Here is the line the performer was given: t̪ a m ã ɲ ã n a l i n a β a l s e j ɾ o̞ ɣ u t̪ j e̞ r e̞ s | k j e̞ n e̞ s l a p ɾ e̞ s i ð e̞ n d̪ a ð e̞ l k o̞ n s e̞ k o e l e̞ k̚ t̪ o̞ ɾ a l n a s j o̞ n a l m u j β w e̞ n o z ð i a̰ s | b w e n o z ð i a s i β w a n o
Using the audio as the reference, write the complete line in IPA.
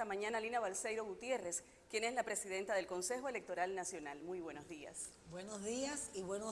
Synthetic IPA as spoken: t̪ a m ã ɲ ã n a l i n a β a l s e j ɾ o̞ ɣ u t̪ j e̞ r e̞ s | k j e̞ n e̞ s l a p ɾ e̞ s i ð e̞ n t̪ a ð e̞ l k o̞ n s e̞ x o e l e̞ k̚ t̪ o̞ ɾ a l n a s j o̞ n a l m u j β w e̞ n o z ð i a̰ s | b w e n o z ð i a s i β w e n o